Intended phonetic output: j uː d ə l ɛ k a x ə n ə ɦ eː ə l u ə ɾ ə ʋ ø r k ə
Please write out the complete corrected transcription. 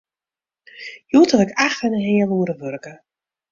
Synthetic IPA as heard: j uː t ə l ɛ k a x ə n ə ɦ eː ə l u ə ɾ ə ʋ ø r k ə

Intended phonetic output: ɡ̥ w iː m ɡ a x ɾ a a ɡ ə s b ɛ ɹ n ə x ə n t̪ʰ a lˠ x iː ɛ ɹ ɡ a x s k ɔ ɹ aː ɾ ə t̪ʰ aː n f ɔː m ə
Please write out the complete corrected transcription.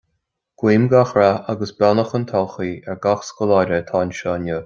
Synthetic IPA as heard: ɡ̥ w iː m ɡ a x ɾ a a ɡ ə s b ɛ n ə x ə n t̪ʰ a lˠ x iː ɛ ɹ ɡ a x s k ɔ l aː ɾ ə t̪ʰ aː n ʃ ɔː n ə

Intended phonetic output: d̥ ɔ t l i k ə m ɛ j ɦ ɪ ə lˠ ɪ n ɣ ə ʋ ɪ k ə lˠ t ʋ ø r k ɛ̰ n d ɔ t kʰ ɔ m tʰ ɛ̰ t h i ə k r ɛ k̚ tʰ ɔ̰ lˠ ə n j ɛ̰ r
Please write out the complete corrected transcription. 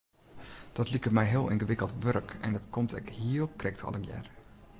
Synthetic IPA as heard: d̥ ɔ t l i k ə m ɛ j ɦ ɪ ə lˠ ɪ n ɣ ə ʋ ɪ k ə lˠ t ʋ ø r k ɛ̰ n d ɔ t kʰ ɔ m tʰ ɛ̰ k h i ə k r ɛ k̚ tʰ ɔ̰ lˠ ə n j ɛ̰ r

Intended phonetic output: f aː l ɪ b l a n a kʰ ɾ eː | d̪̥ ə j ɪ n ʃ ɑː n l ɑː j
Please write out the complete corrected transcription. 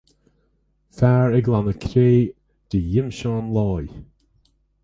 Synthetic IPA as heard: f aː ɹ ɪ ɡ l a n ə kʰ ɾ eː | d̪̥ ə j ɪ m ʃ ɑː n l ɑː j

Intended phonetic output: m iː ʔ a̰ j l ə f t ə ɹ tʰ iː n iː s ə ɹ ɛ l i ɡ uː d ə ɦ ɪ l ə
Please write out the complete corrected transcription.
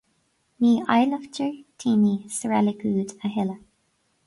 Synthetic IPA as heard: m iː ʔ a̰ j l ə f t ə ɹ tʰ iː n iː s ə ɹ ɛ l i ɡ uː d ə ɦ ɪ l ə

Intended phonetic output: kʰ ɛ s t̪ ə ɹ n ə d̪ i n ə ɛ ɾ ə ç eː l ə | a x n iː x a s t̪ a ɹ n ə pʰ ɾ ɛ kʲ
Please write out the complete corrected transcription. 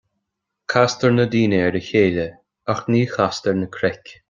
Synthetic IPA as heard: kʰ a s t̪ ə ɹ n ə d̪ iː n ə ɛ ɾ ə ç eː l ə | a x n iː x a s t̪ ə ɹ n ə kʰ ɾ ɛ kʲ

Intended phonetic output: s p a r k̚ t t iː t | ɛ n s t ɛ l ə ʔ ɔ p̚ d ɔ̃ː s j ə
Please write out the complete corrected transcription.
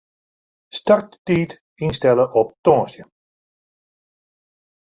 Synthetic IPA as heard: s t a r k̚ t t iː t | i n s t ɛ l ə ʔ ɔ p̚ t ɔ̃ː s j ə

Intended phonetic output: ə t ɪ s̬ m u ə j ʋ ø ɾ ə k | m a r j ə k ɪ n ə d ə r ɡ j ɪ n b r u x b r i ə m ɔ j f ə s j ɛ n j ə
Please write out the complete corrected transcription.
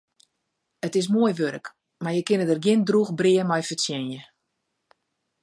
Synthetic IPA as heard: ə t ɪ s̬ m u ə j ʋ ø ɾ ə k | m a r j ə k ɪ n ə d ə r ɡ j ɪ n d r u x b r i ə m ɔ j f ə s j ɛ n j ə

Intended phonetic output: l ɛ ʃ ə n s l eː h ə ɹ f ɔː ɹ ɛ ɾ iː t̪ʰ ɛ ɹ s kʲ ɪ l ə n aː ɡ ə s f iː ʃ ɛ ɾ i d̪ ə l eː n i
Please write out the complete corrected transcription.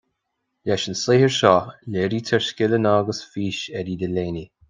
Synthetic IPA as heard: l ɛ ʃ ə n s l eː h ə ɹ ʃ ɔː l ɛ ɾ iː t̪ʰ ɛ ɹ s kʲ ɪ l ə n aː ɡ ə s f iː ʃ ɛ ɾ i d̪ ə l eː n i

